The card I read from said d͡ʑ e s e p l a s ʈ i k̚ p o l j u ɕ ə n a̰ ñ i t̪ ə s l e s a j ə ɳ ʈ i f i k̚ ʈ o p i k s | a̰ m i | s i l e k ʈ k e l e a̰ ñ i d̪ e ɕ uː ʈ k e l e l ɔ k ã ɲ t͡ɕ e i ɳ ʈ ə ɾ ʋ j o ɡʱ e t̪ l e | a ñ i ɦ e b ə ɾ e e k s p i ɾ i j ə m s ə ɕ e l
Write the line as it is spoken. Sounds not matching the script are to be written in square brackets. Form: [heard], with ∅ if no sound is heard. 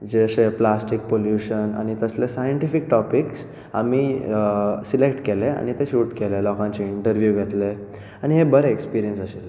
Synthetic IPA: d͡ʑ e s e p l a s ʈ i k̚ p o l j u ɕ ə n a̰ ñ i t̪ ə s l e s a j ə ɳ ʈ i f i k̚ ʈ [ɔ] p i k s | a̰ m i | s i l e k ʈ k e l e a̰ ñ i [t̪] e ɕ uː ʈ k e l e l ɔ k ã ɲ t͡ɕ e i ɳ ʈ ə ɾ ʋ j [u] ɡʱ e t̪ l e | a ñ i ɦ e b ə ɾ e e k s p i ɾ i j ə [n] s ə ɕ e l